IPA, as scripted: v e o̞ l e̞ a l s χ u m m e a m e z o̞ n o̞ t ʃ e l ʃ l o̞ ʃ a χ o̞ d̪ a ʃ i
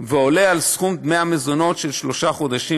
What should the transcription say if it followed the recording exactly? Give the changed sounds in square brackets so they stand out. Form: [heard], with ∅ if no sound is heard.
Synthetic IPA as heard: v e o̞ l e̞ a l s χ u m m e a m e z o̞ n o̞ t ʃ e l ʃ l o̞ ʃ a χ o̞ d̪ a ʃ i